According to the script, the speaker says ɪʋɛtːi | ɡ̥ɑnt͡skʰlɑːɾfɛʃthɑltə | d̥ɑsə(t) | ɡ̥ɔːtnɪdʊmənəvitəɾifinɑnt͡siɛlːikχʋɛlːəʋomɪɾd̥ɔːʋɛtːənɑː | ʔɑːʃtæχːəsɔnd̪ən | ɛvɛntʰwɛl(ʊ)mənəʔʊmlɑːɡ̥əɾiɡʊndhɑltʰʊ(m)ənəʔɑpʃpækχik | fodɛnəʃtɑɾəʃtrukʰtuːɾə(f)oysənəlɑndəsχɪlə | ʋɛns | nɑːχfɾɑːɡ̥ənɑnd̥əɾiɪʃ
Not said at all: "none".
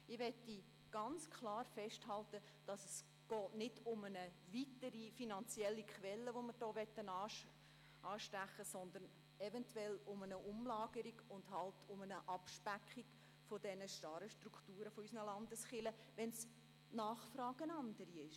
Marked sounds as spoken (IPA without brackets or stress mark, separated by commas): s, ʊ, m, f